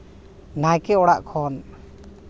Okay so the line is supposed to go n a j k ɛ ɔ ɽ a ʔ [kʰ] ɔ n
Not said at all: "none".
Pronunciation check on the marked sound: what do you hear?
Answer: kʰ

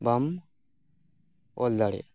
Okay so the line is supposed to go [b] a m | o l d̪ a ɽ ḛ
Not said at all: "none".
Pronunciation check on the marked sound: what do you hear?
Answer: b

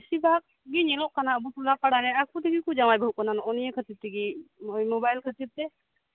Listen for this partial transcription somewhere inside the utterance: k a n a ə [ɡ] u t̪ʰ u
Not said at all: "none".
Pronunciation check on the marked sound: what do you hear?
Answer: b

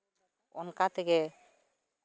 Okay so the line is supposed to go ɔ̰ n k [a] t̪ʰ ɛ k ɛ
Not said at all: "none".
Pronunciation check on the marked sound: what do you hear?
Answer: a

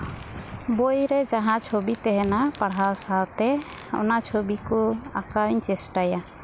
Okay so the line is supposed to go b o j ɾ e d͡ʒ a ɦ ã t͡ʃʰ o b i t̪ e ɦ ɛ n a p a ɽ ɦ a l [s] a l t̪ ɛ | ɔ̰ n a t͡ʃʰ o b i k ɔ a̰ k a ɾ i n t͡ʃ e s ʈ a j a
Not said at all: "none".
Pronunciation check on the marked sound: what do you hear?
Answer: s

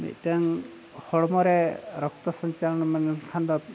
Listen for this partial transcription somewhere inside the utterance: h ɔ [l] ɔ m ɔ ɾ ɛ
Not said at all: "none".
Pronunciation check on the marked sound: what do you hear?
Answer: ɽ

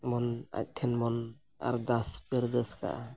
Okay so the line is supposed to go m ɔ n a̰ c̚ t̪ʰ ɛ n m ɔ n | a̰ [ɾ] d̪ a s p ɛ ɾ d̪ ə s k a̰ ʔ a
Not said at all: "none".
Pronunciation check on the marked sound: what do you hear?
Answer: ɾ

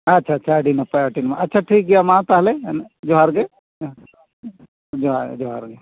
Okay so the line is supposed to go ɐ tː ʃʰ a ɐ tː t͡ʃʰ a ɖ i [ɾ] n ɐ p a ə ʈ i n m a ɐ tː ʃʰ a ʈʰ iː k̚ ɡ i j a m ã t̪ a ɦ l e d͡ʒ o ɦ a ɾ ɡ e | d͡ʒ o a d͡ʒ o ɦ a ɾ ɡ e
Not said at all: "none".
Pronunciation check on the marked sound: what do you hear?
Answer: none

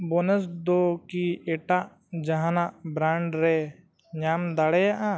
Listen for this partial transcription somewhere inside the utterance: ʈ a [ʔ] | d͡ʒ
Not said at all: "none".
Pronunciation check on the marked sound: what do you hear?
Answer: ʔ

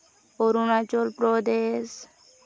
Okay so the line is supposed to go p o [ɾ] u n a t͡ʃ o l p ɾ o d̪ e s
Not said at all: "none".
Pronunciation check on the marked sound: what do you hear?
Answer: ɾ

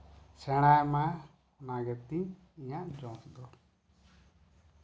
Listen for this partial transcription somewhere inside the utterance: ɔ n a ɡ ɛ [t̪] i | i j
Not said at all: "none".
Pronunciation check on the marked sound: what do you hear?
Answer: t̪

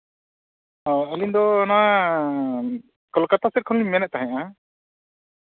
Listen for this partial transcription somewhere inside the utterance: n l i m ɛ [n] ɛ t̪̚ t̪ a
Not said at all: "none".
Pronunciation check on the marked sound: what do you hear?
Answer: n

